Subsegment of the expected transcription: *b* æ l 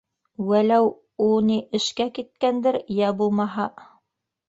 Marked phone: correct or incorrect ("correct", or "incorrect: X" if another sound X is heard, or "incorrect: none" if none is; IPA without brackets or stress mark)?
incorrect: w